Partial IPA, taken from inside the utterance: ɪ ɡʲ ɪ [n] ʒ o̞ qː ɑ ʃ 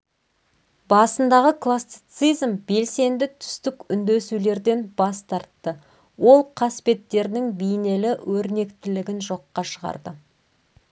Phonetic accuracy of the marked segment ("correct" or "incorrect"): correct